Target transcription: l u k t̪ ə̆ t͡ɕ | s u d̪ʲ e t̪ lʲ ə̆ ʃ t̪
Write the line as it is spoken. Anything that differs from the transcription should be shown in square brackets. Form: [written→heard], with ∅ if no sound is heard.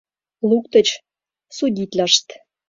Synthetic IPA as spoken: l u k t̪ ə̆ t͡ɕ | s u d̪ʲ [e→i] t̪ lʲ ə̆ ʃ t̪